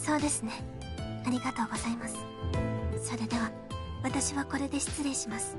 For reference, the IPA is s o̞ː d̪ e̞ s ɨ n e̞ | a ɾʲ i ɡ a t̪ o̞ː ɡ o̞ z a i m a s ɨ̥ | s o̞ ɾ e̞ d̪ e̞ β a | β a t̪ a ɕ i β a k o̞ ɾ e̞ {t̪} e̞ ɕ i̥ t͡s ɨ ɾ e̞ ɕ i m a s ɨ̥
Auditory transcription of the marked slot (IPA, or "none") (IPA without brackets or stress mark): d̪